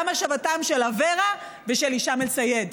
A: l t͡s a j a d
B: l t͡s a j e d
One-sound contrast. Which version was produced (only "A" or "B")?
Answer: B